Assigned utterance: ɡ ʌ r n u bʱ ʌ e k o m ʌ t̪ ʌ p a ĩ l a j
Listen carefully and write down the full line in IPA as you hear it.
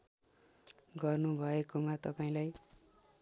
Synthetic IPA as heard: ɡ ʌ r n u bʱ ʌ e k o m a t̪ ʌ p a ĩ l a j